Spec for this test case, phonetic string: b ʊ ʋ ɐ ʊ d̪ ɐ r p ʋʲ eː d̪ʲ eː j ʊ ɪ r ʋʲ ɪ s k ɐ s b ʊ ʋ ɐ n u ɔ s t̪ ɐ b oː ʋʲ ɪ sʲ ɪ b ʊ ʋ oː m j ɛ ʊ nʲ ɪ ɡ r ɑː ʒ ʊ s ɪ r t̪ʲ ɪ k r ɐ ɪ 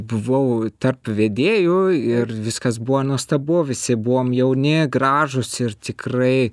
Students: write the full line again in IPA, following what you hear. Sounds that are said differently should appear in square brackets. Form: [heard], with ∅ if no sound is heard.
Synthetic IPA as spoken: b ʊ ʋ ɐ ʊ [t̪] ɐ r p ʋʲ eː d̪ʲ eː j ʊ ɪ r ʋʲ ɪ s k ɐ s b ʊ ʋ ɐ n u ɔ s t̪ ɐ b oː ʋʲ ɪ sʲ ɪ b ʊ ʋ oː m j ɛ ʊ nʲ ɪ ɡ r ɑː ʒ ʊ s ɪ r t̪ʲ ɪ k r ɐ ɪ

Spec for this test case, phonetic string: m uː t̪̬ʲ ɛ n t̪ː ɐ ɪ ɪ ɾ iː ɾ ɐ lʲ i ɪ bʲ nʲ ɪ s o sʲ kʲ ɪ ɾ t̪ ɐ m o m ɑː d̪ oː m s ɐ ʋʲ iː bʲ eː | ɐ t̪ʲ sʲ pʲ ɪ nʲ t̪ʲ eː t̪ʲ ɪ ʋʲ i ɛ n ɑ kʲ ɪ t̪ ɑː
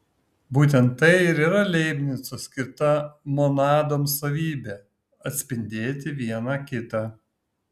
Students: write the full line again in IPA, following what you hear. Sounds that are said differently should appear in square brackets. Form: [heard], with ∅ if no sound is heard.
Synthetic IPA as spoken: [b] uː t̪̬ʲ ɛ n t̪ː ɐ ɪ ɪ ɾ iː ɾ ɐ lʲ [ɛ] ɪ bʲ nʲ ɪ s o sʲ kʲ ɪ ɾ t̪ ɐ m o [n] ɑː d̪ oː m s ɐ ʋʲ iː bʲ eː | ɐ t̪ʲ sʲ pʲ ɪ nʲ [d̪ʲ] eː t̪ʲ ɪ ʋʲ i ɛ n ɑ kʲ ɪ t̪ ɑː

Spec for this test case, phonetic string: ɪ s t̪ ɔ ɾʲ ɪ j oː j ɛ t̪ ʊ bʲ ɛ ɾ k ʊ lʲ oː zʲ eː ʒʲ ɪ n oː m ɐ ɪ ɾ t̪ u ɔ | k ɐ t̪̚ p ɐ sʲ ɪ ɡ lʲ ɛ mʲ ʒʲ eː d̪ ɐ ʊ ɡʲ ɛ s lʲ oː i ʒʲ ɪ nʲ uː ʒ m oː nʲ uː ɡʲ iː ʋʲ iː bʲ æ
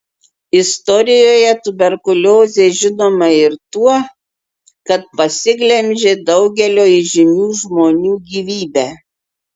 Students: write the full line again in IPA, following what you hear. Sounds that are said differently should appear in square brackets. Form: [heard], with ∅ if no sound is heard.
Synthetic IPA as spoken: ɪ s t̪ ɔ ɾʲ ɪ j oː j ɛ t̪ ʊ bʲ ɛ ɾ k ʊ lʲ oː zʲ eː ʒʲ ɪ n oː m ɐ ɪ ɾ t̪ u ɔ | k ɐ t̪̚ p ɐ sʲ ɪ ɡ lʲ ɛ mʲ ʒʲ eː d̪ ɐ ʊ ɡʲ ɛ [∅] lʲ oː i ʒʲ ɪ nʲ uː ʒ m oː nʲ uː ɡʲ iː ʋʲ iː bʲ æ

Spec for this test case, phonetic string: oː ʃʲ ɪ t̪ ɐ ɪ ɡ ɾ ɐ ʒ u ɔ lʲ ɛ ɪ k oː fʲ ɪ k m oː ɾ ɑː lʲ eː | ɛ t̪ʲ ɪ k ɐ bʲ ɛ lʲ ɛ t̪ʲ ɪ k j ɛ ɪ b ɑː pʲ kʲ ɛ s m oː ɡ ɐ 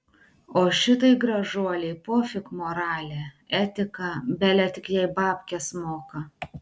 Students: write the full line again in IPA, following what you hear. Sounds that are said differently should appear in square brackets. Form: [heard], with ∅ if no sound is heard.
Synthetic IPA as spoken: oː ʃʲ ɪ t̪ ɐ ɪ ɡ ɾ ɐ ʒ u ɔ lʲ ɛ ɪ [p] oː fʲ ɪ k m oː ɾ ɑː lʲ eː | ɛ t̪ʲ ɪ k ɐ bʲ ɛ lʲ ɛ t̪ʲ ɪ k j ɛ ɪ b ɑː pʲ kʲ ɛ s m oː [k] ɐ

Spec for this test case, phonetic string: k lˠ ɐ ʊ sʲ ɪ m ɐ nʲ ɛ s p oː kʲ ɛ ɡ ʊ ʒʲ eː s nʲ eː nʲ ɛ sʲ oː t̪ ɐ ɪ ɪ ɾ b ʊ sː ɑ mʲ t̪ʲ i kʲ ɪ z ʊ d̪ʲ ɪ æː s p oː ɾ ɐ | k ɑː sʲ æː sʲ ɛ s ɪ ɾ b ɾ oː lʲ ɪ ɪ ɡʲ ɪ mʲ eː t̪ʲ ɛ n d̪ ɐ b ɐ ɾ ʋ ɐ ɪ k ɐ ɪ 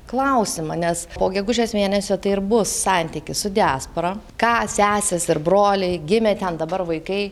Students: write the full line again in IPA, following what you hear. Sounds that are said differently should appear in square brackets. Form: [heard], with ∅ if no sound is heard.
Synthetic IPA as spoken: k lˠ ɐ ʊ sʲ ɪ m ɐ nʲ ɛ s p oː [ɡʲ] ɛ ɡ ʊ ʒʲ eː s [mʲ] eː nʲ ɛ sʲ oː t̪ ɐ ɪ ɪ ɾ b ʊ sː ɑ [nʲ] t̪ʲ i kʲ ɪ [s] ʊ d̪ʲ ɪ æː s p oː ɾ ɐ | k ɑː sʲ æː sʲ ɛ s ɪ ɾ b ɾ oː lʲ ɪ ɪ ɡʲ ɪ mʲ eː t̪ʲ ɛ n d̪ ɐ b ɐ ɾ ʋ ɐ ɪ k ɐ ɪ

